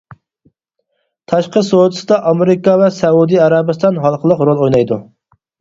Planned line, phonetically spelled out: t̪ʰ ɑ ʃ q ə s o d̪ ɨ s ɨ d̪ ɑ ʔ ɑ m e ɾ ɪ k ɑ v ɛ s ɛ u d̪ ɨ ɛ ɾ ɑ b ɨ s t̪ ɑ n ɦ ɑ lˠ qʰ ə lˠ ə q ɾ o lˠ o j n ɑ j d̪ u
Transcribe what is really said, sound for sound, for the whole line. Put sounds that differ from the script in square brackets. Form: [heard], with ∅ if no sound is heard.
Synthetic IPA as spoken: t̪ʰ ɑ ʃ q ə s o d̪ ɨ s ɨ d̪ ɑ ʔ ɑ m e ɾ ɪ k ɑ v ɛ s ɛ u d̪ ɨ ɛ ɾ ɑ b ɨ s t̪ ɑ n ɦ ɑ lˠ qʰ ə lˠ ə q ɾ o lˠ o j n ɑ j d̪ u